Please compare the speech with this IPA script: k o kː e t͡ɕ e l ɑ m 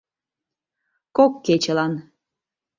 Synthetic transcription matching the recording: k o kː e t͡ɕ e l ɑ n